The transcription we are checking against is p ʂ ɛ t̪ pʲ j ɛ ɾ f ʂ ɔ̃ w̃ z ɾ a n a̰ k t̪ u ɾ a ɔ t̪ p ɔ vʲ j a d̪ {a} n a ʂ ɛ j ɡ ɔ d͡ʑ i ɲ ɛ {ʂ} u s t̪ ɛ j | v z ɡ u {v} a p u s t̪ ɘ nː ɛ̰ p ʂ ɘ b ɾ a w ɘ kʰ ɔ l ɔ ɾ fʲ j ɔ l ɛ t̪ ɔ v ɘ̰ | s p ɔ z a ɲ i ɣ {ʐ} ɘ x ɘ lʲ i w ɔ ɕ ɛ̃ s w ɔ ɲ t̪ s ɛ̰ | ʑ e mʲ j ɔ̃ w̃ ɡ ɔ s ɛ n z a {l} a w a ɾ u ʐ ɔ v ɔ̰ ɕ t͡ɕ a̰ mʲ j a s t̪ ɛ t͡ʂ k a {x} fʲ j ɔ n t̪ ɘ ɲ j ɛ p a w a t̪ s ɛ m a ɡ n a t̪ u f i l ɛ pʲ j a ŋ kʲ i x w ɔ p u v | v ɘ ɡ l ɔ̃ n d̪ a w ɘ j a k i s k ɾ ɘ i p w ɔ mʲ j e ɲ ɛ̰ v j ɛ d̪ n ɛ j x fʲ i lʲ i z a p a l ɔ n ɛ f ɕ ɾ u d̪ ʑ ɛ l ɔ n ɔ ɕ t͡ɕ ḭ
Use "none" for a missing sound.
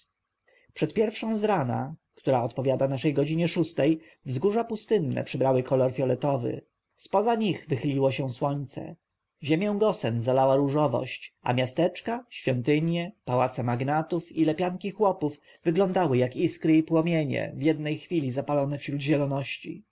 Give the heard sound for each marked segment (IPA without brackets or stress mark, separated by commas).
a, ʂ, ʐ, v, l, ɕ